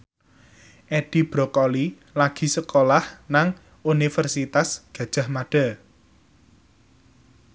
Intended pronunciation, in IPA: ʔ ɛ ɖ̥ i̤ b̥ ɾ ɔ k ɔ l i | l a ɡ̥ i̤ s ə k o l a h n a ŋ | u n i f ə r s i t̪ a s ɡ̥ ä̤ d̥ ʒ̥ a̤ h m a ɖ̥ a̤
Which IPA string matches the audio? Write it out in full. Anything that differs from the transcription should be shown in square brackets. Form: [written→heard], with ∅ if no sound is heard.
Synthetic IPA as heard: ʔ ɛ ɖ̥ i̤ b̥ ɾ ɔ k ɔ l i | l a ɡ̥ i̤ s ə k o l a h n a ŋ | u n i f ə r s i t̪ a s ɡ̥ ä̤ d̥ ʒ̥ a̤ h m a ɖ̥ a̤